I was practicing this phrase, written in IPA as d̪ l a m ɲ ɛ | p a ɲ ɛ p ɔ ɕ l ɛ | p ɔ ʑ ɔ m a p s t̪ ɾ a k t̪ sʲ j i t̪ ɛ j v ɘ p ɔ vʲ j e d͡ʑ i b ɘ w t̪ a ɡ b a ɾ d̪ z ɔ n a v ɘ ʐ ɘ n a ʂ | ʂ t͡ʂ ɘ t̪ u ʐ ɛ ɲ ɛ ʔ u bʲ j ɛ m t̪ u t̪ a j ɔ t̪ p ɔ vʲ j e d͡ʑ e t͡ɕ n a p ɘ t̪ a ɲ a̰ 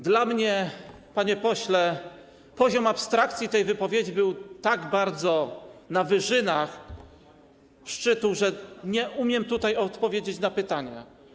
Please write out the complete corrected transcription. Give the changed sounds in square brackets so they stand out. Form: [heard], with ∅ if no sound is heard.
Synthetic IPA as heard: d̪ l a m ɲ ɛ | p a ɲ ɛ p ɔ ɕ l ɛ | p ɔ ʑ ɔ m a p s t̪ ɾ a k t̪ sʲ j i t̪ ɛ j v ɘ p ɔ vʲ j e d͡ʑ i b ɘ w t̪ a ɡ b a ɾ d̪ z ɔ n a v ɘ ʐ ɘ n a [x] | ʂ t͡ʂ ɘ t̪ u ʐ ɛ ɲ ɛ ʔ u [mʲ] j ɛ m t̪ u t̪ a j ɔ t̪ p ɔ vʲ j e d͡ʑ e t͡ɕ n a p ɘ t̪ a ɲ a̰